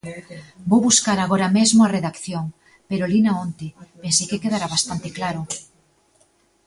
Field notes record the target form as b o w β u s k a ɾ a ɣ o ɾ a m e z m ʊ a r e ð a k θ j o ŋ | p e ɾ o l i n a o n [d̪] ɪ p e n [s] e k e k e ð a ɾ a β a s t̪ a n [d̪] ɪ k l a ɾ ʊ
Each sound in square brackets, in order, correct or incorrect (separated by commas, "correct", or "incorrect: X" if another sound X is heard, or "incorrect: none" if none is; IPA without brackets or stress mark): incorrect: t̪, correct, incorrect: t̪